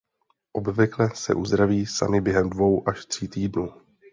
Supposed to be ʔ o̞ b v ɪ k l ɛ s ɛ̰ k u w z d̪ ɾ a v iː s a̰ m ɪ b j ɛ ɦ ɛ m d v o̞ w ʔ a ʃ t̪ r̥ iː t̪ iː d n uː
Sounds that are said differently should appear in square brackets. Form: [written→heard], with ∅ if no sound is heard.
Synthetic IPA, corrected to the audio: ʔ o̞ b v ɪ k l ɛ s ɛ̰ [k→ʔ] u [w→∅] z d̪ ɾ a v iː s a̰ m ɪ b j ɛ ɦ ɛ m d v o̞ w ʔ a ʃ t̪ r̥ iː t̪ iː d n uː